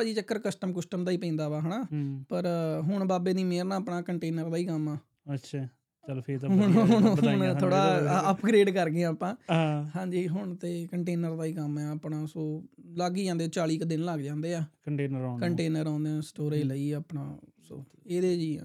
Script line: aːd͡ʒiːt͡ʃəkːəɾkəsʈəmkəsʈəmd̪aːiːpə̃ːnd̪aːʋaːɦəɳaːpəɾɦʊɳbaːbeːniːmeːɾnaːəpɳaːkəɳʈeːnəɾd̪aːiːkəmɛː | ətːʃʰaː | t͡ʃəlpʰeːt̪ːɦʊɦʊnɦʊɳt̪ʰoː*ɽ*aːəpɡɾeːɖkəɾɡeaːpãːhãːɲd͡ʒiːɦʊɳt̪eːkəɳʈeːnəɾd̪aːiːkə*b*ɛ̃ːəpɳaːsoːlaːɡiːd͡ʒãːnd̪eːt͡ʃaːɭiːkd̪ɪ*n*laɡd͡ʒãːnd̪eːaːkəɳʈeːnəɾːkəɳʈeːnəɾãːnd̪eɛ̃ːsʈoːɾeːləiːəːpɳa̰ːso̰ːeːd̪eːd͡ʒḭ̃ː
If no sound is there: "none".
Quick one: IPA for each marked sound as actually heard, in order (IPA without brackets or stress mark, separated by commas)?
ɽ, m, n